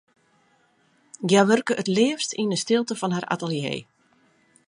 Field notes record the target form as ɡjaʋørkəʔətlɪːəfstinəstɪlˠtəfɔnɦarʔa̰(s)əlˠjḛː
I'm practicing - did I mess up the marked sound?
yes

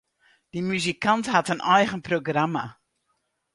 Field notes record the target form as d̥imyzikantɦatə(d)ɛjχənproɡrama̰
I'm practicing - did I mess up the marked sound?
yes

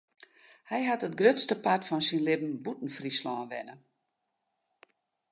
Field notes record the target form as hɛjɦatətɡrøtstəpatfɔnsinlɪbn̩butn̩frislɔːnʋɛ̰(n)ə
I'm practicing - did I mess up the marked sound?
no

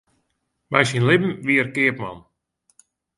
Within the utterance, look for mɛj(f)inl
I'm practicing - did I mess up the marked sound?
yes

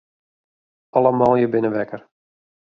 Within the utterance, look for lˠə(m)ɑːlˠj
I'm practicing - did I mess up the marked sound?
no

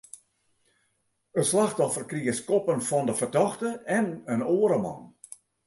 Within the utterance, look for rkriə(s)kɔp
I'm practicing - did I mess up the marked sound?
no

